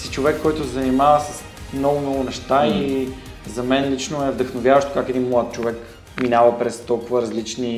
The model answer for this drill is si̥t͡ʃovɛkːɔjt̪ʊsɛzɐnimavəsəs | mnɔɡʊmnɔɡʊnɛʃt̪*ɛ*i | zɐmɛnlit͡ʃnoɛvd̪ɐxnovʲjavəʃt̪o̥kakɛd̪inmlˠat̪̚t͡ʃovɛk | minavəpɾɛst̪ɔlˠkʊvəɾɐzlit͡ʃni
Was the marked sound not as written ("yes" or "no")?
yes